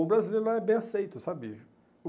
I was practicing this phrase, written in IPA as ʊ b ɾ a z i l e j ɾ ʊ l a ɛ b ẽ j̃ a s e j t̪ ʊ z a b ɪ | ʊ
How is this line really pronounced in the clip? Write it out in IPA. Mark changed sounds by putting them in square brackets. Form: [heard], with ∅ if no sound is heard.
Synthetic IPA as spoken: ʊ b ɾ a z i l e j ɾ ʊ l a ɛ b ẽ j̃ a s e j t̪ ʊ [s] a b ɪ | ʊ